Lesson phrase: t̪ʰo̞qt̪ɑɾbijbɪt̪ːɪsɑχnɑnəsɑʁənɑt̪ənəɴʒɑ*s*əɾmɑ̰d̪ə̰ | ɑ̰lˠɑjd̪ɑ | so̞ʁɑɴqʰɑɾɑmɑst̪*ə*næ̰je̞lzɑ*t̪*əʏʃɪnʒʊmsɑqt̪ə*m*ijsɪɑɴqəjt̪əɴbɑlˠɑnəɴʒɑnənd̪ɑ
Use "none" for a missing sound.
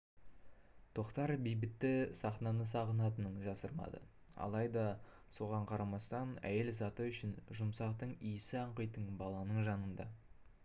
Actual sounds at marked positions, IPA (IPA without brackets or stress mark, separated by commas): s, ɑ, t̪, ɴ